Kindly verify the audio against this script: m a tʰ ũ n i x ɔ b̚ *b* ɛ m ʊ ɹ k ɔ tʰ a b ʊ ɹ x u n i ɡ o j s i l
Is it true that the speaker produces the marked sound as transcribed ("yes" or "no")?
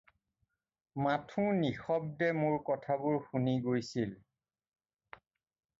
no